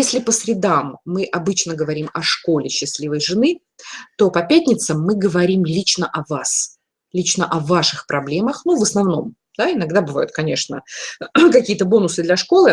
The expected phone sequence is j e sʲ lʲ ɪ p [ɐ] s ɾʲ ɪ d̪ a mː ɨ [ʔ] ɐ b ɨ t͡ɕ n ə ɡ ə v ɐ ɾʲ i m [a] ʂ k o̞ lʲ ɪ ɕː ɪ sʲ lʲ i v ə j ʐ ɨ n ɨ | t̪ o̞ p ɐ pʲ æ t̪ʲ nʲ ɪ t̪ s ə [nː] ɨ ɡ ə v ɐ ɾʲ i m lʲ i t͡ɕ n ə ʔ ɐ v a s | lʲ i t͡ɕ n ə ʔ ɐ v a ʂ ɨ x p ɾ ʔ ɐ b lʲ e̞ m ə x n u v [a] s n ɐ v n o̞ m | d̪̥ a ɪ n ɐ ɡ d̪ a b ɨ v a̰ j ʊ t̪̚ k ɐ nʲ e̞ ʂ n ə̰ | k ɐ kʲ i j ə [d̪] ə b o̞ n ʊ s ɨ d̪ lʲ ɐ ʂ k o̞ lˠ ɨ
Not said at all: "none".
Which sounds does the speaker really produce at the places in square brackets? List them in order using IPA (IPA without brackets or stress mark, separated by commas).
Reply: ə, ʔ, ɐ, mː, ə, t̪